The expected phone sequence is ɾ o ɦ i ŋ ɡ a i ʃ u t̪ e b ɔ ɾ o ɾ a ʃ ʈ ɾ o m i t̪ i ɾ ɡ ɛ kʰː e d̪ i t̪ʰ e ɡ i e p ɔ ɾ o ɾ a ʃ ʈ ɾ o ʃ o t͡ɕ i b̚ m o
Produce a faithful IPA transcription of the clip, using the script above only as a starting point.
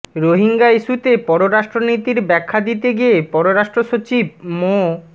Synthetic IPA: ɾ o ɦ i ŋ ɡ a i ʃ u t̪ e p ɔ ɾ o ɾ a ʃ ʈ ɾ o n i t̪ i ɾ b ɛ kʰː a d̪ i t̪ e ɡ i e p ɔ ɾ o ɾ a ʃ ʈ ɾ o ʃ o t͡ɕ i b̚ m o